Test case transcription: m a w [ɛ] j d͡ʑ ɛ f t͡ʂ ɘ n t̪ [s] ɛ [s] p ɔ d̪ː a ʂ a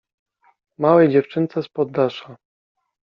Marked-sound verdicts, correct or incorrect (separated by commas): correct, correct, correct